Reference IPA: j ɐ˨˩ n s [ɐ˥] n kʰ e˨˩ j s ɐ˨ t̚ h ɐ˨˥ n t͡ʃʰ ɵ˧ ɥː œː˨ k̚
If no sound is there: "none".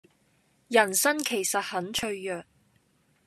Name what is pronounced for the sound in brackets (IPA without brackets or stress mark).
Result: ɐ˥